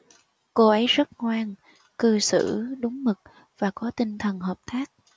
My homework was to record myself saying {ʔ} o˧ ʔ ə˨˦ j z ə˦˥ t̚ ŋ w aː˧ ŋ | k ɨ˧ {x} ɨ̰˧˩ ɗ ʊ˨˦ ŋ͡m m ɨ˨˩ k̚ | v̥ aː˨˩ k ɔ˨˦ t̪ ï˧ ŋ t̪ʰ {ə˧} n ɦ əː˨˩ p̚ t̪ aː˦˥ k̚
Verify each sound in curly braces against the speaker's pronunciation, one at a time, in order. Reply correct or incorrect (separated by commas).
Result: incorrect, incorrect, incorrect